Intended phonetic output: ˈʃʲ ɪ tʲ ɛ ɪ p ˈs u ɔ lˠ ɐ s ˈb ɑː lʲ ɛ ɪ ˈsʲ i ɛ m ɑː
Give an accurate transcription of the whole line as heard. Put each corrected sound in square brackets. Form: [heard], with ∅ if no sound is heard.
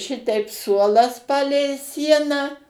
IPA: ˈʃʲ ɪ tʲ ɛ ɪ p ˈs u ɔ lˠ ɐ s [ˈp] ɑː lʲ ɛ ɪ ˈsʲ i ɛ [n] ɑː

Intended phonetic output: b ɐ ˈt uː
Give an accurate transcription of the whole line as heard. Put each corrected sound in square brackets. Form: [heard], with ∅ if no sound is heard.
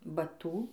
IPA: b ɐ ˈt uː

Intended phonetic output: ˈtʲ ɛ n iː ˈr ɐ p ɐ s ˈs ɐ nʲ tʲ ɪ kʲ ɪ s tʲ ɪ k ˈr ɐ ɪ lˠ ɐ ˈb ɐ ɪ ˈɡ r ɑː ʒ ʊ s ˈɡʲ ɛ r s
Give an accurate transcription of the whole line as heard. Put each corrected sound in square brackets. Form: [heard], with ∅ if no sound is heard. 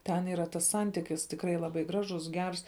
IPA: ˈtʲ ɛ n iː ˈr ɐ [t] ɐ s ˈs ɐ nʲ tʲ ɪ kʲ ɪ s tʲ ɪ k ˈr ɐ ɪ lˠ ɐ ˈb ɐ ɪ ˈɡ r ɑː ʒ ʊ s ˈɡʲ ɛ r s

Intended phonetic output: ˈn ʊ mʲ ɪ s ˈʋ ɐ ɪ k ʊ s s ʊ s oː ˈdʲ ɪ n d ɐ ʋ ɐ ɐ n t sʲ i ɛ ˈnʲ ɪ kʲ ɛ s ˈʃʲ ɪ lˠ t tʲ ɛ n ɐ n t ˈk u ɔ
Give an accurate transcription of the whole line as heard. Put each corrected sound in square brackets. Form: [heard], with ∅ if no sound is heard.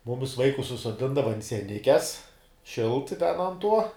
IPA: [ˈm] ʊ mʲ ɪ s ˈʋ ɐ ɪ k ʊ s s ʊ s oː ˈdʲ ɪ n d ɐ ʋ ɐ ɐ n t sʲ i ɛ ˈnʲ ɪ kʲ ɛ s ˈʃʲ ɪ lˠ t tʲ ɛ n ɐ n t [ˈt] u ɔ

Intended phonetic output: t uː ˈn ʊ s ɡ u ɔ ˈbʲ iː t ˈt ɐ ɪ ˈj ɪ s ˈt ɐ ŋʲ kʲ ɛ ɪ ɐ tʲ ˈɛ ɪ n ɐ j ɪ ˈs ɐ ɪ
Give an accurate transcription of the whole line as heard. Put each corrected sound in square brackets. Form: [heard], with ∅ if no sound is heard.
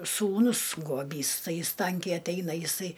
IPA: [s] uː ˈn ʊ s ɡ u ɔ ˈbʲ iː [s] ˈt ɐ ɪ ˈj ɪ s ˈt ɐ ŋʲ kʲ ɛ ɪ ɐ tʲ ˈɛ ɪ n ɐ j ɪ ˈs ɐ ɪ

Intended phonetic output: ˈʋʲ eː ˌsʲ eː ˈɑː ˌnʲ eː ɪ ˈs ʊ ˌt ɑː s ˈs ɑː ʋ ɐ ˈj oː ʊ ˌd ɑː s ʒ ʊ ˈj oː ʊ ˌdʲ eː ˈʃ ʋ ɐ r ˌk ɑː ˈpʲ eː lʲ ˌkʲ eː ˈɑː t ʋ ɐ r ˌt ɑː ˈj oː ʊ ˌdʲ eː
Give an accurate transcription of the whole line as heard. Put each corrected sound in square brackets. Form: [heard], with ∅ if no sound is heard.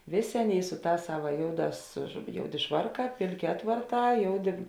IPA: ˈʋʲ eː ˌsʲ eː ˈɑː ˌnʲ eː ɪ ˈs ʊ ˌt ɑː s ˈs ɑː ʋ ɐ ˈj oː ʊ ˌd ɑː s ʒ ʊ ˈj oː ʊ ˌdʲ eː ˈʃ ʋ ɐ r ˌk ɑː ˈpʲ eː lʲ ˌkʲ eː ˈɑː t ʋ ɐ r ˌt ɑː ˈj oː ʊ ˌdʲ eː

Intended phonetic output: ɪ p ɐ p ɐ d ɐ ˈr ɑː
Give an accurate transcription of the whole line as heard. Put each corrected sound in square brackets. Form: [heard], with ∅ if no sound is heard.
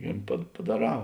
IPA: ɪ p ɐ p ɐ d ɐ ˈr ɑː

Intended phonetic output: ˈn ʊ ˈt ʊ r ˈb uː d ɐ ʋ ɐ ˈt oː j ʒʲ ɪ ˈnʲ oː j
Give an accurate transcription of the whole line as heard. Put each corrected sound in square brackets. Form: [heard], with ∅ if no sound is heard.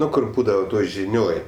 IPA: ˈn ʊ [ˈk] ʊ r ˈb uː d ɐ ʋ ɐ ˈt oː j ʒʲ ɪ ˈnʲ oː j

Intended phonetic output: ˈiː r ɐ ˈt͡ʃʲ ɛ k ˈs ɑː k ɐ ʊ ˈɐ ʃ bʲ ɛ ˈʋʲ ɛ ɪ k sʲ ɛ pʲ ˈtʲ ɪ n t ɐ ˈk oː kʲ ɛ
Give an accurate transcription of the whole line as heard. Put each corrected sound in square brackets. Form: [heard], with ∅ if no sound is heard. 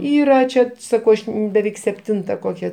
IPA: ˈiː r ɐ ˈt͡ʃʲ ɛ [∅] ˈs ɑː k ɐ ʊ ˈɐ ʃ bʲ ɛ ˈʋʲ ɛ ɪ k sʲ ɛ pʲ ˈtʲ ɪ n t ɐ ˈk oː kʲ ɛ

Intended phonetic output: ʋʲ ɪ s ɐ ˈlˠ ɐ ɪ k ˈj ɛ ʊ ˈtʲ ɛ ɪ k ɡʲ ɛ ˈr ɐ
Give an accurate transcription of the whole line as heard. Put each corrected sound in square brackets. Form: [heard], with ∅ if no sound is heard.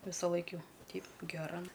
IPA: ʋʲ ɪ s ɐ ˈlˠ ɐ ɪ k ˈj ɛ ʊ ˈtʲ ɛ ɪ [p] ɡʲ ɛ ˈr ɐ

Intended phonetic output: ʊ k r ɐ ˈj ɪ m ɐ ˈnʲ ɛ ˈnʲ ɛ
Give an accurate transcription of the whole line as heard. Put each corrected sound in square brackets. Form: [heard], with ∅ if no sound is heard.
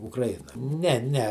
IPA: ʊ k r ɐ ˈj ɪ [n] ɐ ˈnʲ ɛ ˈnʲ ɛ

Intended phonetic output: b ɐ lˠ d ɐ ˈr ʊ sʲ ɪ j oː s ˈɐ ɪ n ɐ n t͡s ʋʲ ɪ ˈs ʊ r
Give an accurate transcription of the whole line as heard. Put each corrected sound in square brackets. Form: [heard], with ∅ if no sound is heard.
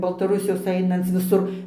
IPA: b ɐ lˠ [t] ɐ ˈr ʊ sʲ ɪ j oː s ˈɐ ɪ n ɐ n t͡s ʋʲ ɪ ˈs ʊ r

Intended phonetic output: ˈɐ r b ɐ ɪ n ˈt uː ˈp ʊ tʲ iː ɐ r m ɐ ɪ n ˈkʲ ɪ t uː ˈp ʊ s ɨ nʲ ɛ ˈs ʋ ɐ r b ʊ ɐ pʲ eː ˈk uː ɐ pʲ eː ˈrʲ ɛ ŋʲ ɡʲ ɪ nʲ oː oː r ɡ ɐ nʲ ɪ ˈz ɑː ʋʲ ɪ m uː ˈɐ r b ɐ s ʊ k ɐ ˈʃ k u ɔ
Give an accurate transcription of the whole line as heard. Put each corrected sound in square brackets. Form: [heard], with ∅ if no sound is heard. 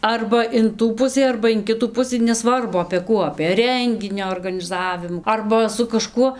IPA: ˈɐ r b ɐ ɪ n ˈt uː ˈp ʊ [sʲ] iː ɐ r [b] ɐ ɪ n ˈkʲ ɪ t uː ˈp ʊ s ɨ nʲ ɛ ˈs ʋ ɐ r b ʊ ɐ pʲ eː ˈk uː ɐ pʲ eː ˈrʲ ɛ ŋʲ ɡʲ ɪ nʲ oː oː r ɡ ɐ nʲ ɪ ˈz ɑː ʋʲ ɪ m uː ˈɐ r b ɐ s ʊ k ɐ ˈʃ k u ɔ

